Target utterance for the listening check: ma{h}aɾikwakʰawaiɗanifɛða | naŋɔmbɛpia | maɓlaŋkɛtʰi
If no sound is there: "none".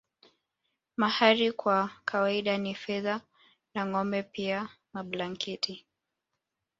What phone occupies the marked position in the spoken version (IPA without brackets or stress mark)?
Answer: h